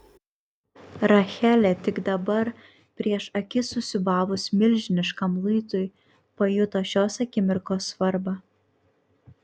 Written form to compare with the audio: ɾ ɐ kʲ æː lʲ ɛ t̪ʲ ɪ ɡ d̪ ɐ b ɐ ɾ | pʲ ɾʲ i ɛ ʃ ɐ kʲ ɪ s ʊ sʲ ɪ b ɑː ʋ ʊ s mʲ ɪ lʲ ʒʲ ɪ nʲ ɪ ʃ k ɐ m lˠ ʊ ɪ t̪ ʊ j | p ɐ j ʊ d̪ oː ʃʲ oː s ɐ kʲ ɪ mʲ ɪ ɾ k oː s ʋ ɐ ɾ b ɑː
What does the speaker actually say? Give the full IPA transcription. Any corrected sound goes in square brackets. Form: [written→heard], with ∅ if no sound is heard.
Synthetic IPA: ɾ ɐ [kʲ→xʲ] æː lʲ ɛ t̪ʲ ɪ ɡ d̪ ɐ b ɐ ɾ | pʲ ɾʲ i ɛ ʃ ɐ kʲ ɪ s ʊ sʲ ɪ b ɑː ʋ ʊ s mʲ ɪ lʲ ʒʲ ɪ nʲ ɪ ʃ k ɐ m lˠ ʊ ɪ t̪ ʊ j | p ɐ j ʊ [d̪→t̪] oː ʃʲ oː s ɐ kʲ ɪ mʲ ɪ ɾ k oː s ʋ ɐ ɾ b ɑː